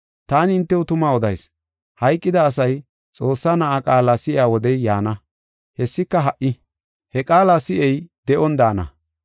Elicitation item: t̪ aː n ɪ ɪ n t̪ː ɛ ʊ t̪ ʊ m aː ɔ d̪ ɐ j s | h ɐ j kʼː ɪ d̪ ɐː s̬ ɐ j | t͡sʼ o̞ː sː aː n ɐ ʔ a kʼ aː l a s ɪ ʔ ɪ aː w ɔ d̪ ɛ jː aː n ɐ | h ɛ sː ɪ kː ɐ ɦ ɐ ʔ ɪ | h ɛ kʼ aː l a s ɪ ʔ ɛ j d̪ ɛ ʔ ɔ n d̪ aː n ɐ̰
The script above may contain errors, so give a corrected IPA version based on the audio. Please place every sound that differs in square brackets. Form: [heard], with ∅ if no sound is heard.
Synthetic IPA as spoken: t̪ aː n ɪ ɪ n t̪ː ɛ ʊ t̪ ʊ m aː ɔ d̪ ɐ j s | h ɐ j kʼː ɪ d̪ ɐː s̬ ɐ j | t͡sʼ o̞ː sː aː n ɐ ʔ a kʼ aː l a s ɪ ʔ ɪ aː w ɔ d̪ ɛ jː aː n ɐ | h ɛ sː ɪ kː ɐ ɦ ɐ ʔ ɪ | h ɛ kʼ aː l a s ɪ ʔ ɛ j d̪ ɛ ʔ ɔ n d̪ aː n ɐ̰

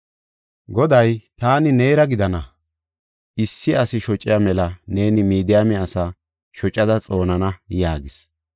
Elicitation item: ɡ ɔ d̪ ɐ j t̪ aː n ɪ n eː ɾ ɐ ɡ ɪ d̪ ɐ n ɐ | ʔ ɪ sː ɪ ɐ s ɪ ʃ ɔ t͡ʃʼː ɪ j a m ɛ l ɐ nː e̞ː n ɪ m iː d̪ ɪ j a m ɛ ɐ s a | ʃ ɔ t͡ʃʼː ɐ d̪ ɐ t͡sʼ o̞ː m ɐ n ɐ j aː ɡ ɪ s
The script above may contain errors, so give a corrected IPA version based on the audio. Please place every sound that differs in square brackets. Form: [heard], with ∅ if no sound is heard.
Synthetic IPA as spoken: ɡ ɔ d̪ ɐ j t̪ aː n ɪ n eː ɾ ɐ ɡ ɪ d̪ ɐ n ɐ | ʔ ɪ sː ɪ ɐ s ɪ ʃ ɔ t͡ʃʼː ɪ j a m ɛ l ɐ [n] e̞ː n ɪ m iː d̪ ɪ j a m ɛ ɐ s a | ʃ ɔ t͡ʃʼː ɐ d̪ ɐ t͡sʼ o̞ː [n] ɐ n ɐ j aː ɡ ɪ s

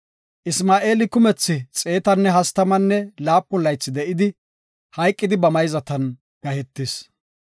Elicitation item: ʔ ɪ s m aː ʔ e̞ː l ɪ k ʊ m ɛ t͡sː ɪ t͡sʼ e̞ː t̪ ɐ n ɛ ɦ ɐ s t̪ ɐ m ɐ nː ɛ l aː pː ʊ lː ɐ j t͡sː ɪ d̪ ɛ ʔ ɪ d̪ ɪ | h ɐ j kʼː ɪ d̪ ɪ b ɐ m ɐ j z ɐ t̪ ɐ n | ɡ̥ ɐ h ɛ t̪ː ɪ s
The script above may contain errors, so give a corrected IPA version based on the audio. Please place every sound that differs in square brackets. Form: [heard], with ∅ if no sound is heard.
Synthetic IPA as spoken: ʔ ɪ s m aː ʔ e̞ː l ɪ k ʊ m ɛ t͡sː ɪ t͡sʼ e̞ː t̪ ɐ [nː] ɛ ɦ ɐ s t̪ ɐ m ɐ nː ɛ l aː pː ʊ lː ɐ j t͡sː ɪ d̪ ɛ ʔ ɪ d̪ ɪ | h ɐ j kʼː ɪ d̪ ɪ b ɐ m ɐ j z ɐ t̪ ɐ n | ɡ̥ ɐ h ɛ t̪ː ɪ s

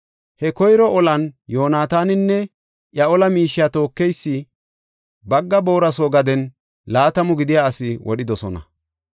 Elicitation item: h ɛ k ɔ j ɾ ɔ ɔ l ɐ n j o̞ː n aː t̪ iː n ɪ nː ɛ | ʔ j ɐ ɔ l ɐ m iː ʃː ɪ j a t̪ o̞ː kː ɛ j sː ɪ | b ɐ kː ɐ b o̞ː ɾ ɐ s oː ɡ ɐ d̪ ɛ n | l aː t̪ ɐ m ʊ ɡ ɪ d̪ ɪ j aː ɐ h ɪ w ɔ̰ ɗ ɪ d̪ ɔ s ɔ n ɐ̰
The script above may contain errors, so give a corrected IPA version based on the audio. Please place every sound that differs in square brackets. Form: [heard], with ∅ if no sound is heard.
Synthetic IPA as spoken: h ɛ k ɔ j ɾ ɔ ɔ l ɐ n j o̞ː n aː t̪ [aː] n ɪ nː ɛ | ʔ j ɐ ɔ l ɐ m iː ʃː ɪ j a t̪ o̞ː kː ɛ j sː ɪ | b ɐ [ɡː] ɐ b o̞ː ɾ ɐ s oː ɡ ɐ d̪ ɛ n | l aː t̪ ɐ m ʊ ɡ ɪ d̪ ɪ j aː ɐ [s] ɪ w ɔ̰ ɗ ɪ d̪ ɔ s ɔ n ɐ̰

